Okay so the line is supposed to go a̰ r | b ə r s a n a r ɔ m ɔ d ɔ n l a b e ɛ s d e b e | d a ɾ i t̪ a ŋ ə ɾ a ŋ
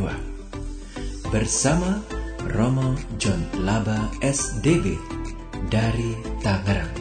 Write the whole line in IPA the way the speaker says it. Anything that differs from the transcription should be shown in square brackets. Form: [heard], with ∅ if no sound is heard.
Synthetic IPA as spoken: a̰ [∅] | b ə r s a [m] a r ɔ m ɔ [d͡ʒ] ɔ n l a b [a] ɛ s d e b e | d a ɾ i t̪ a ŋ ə ɾ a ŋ